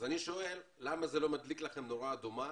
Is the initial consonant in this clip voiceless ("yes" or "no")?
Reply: no